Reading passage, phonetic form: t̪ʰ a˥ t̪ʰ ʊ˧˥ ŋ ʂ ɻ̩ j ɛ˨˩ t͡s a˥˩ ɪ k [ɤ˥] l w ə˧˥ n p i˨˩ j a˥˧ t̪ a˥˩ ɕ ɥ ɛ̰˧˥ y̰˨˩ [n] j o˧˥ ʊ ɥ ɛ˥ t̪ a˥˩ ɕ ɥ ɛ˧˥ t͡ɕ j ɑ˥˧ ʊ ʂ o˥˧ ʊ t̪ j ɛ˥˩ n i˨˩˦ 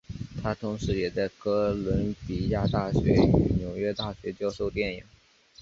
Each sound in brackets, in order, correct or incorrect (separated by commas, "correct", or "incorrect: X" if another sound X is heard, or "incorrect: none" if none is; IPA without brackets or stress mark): correct, correct